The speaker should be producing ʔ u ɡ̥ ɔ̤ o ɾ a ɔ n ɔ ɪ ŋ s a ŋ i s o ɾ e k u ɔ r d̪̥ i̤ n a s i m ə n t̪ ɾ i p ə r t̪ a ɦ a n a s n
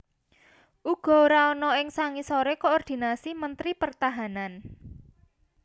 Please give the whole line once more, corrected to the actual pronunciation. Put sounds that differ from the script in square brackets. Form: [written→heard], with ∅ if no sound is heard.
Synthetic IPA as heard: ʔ u ɡ̥ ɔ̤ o ɾ a ɔ n ɔ ɪ ŋ s a ŋ i s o ɾ e k [u→o] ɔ r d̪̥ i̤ n a s i m ə n t̪ ɾ i p ə r t̪ a ɦ a n a [s→∅] n